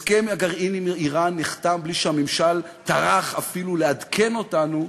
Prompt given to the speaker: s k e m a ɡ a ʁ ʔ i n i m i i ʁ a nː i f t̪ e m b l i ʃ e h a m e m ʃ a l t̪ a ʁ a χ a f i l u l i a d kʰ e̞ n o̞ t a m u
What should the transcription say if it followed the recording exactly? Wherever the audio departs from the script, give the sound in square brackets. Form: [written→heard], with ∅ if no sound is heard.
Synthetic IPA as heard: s k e m a ɡ a ʁ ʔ i n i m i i ʁ a nː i [f→χ] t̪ [e→a] m b l i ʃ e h a m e m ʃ a l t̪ a ʁ a χ a f i l u l [i→e] a d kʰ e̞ n o̞ t a [m→n] u